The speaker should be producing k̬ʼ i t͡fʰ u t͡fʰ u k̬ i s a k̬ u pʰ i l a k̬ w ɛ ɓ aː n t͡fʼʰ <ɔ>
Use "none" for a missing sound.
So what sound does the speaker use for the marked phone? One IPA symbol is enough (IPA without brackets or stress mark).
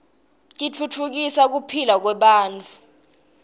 u